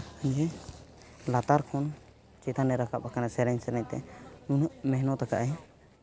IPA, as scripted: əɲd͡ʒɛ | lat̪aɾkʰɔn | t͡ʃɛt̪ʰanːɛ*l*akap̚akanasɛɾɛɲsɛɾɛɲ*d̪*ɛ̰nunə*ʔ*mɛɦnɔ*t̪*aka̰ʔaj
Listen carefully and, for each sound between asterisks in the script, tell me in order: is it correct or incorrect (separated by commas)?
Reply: incorrect, incorrect, correct, correct